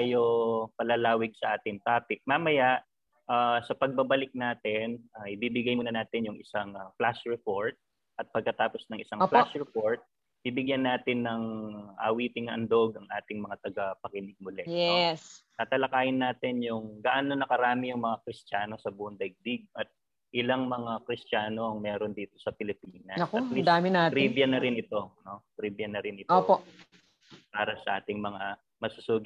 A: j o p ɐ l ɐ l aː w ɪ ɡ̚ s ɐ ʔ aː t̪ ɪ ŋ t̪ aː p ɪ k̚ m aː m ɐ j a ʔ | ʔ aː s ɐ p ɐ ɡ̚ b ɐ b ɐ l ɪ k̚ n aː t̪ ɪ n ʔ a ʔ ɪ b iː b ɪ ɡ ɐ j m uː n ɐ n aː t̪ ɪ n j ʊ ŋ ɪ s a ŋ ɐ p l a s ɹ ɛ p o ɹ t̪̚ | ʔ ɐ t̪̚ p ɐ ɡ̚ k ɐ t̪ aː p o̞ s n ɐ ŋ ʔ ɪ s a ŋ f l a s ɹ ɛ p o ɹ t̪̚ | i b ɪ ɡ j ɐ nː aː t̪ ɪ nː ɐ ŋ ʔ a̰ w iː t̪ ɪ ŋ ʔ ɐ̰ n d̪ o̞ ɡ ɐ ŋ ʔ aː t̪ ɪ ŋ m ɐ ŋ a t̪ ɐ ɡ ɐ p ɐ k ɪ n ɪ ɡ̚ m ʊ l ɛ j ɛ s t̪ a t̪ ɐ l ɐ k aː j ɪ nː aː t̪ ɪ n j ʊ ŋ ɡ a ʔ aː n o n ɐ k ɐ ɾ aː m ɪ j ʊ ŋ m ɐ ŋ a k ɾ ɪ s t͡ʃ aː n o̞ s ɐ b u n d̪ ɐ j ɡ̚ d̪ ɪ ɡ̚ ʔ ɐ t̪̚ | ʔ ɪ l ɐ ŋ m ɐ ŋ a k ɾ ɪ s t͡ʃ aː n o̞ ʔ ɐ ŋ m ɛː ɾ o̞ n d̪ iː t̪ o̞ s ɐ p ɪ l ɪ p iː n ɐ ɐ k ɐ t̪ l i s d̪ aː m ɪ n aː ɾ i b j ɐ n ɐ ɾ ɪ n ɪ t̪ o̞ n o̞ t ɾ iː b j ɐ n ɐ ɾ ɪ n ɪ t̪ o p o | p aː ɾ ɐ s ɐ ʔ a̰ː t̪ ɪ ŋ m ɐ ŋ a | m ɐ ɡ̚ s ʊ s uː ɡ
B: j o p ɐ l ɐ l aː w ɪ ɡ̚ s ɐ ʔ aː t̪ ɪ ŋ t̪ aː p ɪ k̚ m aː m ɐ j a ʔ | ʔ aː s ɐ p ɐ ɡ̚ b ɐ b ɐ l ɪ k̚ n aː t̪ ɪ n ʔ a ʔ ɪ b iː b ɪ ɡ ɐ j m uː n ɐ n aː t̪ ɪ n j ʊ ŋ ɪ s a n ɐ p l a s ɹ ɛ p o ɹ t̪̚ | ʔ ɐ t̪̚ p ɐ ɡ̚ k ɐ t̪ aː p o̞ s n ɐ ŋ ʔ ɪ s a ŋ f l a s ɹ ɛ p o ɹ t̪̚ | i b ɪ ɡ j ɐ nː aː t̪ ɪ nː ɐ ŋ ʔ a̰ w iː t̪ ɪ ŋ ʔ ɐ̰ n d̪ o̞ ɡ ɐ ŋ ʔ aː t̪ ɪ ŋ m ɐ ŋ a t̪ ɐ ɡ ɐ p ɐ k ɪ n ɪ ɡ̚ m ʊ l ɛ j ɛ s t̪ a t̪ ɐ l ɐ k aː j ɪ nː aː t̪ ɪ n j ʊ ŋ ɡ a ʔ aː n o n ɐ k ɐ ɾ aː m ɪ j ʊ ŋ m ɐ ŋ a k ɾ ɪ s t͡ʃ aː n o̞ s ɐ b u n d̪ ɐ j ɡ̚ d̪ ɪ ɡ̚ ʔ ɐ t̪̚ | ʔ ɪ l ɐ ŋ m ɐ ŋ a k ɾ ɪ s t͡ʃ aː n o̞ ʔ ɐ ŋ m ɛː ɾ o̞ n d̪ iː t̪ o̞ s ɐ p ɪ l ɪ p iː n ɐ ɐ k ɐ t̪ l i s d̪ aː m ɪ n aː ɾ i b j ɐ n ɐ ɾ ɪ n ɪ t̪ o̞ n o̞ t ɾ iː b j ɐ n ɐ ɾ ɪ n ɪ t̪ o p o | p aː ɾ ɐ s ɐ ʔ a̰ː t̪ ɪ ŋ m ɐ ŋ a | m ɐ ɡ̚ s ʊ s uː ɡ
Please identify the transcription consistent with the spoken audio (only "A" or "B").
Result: A